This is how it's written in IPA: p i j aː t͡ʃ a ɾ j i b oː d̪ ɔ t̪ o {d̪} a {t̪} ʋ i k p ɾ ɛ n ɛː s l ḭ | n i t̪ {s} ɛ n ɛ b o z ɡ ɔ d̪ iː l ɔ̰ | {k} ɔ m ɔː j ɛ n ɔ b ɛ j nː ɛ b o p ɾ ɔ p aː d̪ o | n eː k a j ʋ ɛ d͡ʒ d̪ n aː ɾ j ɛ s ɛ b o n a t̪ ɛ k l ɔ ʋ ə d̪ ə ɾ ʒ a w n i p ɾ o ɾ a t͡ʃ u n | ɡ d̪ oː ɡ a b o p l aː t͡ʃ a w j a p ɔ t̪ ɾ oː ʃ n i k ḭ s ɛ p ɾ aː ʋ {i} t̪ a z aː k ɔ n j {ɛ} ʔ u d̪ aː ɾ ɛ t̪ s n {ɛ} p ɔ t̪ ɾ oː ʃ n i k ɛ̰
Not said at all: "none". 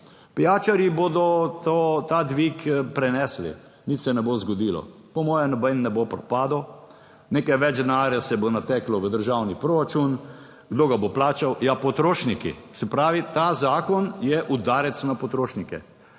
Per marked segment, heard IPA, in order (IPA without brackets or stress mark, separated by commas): t̪, d̪, s, p, i, ɛ, a